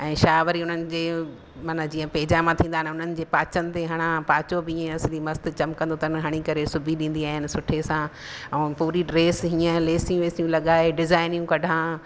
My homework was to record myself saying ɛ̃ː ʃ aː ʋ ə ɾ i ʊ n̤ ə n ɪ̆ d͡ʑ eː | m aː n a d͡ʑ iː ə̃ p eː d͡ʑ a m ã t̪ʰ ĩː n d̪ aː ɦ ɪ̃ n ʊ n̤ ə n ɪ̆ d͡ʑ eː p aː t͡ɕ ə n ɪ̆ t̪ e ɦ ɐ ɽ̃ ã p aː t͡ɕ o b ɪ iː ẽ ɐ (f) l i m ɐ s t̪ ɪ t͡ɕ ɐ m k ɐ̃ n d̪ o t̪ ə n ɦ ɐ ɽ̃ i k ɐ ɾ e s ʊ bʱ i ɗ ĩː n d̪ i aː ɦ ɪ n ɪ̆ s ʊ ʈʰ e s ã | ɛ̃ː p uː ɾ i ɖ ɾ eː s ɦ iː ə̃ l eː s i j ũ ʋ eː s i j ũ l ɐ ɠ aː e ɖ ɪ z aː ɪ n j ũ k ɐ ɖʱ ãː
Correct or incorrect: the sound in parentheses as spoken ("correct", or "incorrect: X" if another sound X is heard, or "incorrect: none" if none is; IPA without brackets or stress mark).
incorrect: s